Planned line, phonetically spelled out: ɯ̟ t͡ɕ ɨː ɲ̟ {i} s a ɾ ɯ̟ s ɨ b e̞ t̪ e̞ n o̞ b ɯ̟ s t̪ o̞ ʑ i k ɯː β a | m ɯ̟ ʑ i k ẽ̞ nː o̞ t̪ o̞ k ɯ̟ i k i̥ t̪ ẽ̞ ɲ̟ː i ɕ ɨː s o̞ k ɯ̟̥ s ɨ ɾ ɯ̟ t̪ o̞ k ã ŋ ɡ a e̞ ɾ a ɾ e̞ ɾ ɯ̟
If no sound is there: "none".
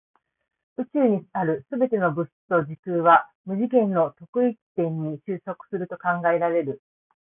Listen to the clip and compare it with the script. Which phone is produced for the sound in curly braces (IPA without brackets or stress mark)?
i